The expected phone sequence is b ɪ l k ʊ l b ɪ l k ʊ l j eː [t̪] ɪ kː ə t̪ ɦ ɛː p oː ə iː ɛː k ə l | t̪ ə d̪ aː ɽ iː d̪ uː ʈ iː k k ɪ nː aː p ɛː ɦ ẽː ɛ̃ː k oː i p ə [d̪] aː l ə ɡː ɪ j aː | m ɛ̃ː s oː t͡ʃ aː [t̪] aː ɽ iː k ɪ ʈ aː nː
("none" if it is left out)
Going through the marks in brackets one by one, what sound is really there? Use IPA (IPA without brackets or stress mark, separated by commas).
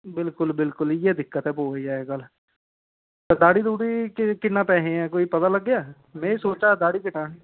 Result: d̪, t̪, d̪